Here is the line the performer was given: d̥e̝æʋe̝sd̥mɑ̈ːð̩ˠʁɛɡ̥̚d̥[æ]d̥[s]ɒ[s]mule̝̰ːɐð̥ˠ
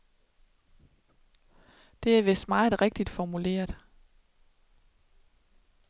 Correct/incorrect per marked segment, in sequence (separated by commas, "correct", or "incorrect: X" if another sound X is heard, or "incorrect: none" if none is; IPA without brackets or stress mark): incorrect: i, incorrect: f, incorrect: none